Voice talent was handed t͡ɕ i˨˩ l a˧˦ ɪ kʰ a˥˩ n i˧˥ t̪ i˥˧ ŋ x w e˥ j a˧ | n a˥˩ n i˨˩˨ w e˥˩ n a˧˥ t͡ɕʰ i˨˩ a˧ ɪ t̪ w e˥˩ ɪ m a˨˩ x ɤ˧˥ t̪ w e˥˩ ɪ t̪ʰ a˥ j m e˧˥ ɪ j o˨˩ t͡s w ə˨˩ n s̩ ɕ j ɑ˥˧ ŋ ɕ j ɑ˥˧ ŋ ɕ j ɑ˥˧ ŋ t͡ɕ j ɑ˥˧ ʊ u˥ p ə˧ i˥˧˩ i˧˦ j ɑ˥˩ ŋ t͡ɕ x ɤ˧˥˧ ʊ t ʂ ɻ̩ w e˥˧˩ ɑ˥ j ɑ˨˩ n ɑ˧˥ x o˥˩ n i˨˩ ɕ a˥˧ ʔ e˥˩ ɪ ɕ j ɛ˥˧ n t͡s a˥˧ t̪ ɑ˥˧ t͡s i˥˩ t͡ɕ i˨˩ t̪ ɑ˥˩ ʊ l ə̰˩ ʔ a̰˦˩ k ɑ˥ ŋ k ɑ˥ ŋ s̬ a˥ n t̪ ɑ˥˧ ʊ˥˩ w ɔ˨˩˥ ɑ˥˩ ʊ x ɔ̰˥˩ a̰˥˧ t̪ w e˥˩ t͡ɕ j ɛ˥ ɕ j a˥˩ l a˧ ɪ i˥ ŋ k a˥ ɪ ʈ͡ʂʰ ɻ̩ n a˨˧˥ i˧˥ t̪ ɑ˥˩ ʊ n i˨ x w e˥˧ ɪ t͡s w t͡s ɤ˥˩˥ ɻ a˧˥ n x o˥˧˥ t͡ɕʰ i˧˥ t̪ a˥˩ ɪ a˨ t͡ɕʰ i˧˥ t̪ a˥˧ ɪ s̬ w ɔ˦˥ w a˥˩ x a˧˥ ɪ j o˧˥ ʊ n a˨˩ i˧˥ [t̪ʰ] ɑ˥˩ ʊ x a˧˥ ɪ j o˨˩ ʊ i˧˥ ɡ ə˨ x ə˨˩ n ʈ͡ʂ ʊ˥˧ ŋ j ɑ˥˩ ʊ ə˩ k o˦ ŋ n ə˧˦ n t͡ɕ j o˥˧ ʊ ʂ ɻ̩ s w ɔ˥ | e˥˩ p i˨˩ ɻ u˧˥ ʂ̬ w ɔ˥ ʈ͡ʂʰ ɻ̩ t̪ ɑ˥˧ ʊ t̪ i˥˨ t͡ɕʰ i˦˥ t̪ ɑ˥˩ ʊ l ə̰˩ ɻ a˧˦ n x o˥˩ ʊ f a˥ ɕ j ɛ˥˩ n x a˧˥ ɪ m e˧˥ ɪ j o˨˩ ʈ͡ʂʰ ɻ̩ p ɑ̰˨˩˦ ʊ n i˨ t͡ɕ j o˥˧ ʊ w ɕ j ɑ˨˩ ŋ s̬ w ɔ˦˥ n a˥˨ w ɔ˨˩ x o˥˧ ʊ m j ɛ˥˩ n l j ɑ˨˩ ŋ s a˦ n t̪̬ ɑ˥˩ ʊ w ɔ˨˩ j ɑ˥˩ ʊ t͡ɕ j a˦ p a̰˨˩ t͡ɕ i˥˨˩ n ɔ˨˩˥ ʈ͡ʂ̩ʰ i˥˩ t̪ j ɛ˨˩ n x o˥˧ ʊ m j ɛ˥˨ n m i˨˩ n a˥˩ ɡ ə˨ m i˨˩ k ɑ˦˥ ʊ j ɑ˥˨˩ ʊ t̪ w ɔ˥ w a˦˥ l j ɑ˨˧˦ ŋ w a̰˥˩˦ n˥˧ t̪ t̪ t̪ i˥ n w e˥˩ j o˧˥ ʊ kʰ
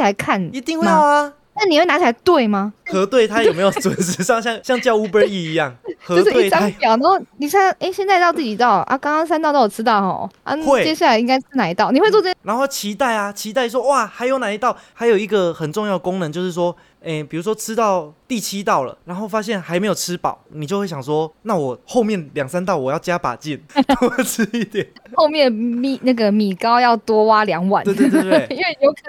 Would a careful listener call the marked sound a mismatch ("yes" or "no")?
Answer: yes